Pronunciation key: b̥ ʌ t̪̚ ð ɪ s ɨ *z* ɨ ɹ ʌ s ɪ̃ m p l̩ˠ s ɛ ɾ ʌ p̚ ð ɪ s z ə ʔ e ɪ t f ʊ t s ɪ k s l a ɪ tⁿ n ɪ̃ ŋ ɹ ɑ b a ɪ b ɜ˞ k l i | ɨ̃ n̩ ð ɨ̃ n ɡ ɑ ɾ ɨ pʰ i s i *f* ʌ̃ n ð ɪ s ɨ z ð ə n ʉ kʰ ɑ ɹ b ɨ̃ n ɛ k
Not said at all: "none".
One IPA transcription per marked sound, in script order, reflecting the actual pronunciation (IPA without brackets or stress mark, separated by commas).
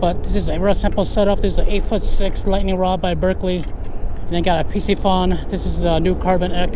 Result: z, f